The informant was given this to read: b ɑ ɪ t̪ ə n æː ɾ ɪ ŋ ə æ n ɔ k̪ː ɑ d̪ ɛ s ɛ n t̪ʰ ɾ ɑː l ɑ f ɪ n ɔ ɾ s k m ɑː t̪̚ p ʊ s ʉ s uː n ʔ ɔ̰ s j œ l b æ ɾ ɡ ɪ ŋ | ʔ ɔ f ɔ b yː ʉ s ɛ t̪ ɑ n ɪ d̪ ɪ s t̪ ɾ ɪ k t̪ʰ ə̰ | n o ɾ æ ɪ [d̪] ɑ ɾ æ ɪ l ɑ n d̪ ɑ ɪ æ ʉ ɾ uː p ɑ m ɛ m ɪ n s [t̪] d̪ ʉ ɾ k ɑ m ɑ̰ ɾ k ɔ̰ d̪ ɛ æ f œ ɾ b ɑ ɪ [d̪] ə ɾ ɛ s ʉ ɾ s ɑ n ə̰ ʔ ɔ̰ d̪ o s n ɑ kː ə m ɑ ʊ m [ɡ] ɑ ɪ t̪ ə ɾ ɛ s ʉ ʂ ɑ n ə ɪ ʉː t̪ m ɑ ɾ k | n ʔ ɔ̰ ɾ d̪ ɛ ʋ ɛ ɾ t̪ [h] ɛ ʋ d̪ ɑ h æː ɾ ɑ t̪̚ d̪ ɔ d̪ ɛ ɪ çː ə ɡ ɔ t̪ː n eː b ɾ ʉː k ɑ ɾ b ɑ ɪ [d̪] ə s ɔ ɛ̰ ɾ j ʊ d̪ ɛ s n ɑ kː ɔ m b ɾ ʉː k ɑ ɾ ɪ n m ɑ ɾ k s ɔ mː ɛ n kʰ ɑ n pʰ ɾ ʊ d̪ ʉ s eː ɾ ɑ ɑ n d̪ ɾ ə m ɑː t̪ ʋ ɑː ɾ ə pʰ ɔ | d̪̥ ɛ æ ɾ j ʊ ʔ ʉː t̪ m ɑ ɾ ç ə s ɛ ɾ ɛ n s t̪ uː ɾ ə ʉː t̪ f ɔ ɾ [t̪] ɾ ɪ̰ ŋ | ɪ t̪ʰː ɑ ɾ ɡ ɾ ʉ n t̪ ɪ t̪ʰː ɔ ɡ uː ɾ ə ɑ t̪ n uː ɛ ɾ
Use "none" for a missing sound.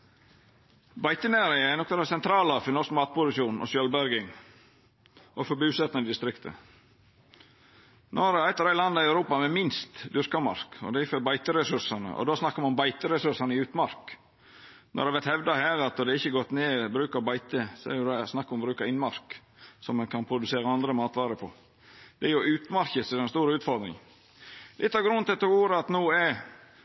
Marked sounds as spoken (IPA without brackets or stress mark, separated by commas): t̪, t̪, t̪, b, h, t̪, d̪